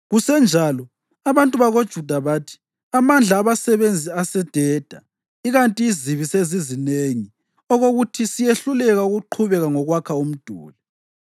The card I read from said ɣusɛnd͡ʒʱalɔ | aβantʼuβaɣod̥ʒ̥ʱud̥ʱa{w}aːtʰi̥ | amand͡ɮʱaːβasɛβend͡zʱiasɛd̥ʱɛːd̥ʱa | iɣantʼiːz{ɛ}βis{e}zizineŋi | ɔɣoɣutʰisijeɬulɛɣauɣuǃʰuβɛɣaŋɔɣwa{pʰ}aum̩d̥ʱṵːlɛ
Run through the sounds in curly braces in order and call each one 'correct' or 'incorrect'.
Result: incorrect, incorrect, correct, incorrect

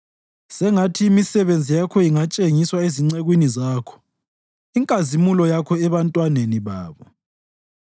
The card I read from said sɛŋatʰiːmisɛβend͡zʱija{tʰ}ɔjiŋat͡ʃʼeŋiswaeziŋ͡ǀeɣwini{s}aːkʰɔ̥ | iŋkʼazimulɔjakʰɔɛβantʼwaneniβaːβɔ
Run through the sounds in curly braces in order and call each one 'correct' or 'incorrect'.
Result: incorrect, incorrect

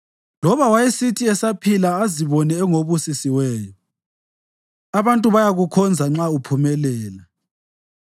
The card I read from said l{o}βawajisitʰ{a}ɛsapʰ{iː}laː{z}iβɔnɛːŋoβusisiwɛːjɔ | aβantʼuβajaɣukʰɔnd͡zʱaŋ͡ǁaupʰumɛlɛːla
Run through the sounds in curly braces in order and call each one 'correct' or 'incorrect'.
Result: incorrect, incorrect, incorrect, correct

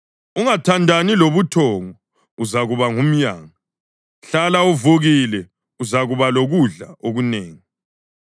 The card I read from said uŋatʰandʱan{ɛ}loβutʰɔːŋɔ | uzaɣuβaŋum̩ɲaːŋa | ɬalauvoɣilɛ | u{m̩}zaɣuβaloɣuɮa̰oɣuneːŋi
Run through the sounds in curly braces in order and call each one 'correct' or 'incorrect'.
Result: incorrect, incorrect

